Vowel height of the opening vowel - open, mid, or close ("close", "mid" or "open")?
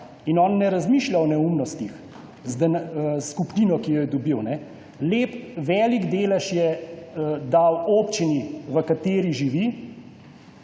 close